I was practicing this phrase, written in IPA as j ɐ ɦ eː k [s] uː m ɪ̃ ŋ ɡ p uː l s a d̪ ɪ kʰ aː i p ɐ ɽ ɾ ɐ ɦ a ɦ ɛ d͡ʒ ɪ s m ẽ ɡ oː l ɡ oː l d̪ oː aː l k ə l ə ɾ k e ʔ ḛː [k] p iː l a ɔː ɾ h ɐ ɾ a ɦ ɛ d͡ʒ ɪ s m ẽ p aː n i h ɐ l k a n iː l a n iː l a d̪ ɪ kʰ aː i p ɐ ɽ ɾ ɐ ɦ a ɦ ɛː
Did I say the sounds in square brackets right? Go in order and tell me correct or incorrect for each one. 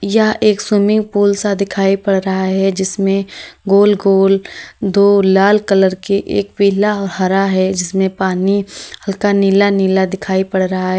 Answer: correct, correct

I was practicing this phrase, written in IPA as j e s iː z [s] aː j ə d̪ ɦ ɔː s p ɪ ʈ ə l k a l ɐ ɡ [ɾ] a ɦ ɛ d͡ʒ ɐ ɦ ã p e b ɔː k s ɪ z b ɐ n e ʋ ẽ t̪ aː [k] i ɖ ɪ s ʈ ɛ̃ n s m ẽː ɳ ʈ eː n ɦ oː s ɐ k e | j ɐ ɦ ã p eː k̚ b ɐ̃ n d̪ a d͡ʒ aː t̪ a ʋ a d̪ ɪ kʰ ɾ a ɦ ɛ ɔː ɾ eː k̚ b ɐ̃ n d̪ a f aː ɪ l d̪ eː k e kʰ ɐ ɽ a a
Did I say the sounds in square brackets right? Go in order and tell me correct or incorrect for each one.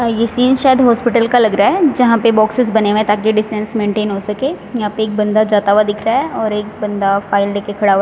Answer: incorrect, correct, correct

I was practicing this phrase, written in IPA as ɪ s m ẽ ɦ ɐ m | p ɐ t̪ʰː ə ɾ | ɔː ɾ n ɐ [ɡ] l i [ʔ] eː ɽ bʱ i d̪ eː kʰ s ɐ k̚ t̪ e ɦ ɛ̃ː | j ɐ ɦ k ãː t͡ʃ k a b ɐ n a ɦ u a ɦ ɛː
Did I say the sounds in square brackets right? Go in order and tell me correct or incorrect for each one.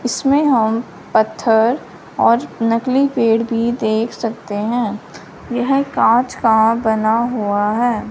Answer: incorrect, incorrect

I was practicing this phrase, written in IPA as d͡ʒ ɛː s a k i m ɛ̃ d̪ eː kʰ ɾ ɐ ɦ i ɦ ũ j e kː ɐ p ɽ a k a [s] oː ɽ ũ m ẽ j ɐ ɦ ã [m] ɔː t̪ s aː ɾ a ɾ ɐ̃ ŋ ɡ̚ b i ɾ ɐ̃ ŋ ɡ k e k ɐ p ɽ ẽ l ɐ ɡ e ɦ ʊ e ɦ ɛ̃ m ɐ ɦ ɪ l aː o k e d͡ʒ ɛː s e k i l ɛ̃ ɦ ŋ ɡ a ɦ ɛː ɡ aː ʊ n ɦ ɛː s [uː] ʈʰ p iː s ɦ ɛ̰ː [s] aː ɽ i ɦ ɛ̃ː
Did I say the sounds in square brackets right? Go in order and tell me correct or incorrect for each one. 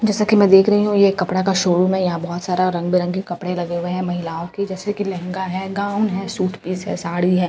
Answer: incorrect, incorrect, correct, correct

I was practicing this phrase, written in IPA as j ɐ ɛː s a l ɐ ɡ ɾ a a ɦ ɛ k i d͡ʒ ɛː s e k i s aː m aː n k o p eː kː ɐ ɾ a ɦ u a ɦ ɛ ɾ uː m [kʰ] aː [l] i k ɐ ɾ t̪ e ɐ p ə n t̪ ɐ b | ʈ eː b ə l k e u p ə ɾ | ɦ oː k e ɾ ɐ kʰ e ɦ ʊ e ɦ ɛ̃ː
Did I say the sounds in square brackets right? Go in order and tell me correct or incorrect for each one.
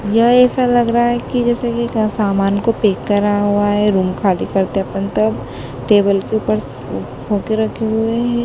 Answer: correct, correct

